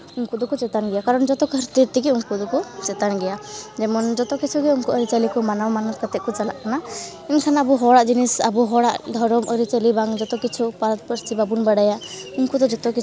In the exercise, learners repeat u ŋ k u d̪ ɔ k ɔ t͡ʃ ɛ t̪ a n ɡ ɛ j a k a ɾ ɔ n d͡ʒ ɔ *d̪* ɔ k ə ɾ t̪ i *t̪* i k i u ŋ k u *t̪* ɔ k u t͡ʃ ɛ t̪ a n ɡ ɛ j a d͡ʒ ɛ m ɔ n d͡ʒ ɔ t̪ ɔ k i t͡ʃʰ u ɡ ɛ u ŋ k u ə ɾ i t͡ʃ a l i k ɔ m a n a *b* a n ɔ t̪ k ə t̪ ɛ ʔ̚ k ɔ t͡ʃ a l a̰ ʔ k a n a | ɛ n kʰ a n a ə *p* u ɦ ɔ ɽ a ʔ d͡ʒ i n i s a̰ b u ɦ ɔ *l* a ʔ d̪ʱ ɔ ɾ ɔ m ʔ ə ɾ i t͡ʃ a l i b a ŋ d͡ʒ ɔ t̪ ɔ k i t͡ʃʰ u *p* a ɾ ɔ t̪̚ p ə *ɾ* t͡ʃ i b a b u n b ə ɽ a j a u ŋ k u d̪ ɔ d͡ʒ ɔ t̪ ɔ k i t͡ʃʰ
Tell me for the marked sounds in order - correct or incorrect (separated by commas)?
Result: incorrect, correct, incorrect, incorrect, incorrect, incorrect, correct, correct